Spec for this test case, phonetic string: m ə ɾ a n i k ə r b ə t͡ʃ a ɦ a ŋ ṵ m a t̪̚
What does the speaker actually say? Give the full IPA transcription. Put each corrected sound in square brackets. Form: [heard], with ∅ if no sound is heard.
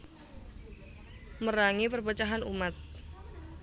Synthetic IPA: m ə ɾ a [ŋ] i [p] ə r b ə t͡ʃ a ɦ a [n] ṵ m a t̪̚